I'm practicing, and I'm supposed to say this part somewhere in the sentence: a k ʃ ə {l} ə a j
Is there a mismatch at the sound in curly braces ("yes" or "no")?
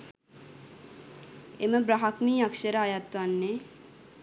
yes